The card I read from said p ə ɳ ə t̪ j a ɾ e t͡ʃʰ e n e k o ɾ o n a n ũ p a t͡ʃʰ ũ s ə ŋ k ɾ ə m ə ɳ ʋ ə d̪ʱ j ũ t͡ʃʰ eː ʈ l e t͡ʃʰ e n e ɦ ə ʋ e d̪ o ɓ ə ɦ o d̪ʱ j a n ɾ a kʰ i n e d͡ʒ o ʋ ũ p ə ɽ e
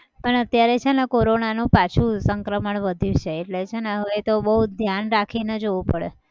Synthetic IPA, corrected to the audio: p ə ɳ ə t̪ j a ɾ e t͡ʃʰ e n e k o ɾ o n a n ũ p a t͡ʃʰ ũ s ə ŋ k ɾ ə m ə ɳ ʋ ə d̪ʱ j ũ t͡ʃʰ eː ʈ l e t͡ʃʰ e n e ɦ ə ʋ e t̪ o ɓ ə ɦ u d̪ʱ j a n ɾ a kʰ i n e d͡ʒ o ʋ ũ p ə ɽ e